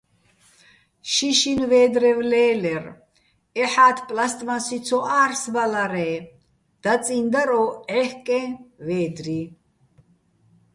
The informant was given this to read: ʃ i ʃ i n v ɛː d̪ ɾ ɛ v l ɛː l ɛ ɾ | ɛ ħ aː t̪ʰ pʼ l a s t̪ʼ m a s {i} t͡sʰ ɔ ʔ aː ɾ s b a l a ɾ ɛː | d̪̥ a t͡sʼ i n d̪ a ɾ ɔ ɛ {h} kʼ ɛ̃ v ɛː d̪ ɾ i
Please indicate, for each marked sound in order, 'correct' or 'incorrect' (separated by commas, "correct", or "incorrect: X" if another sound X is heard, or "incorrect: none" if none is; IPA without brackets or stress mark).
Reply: correct, correct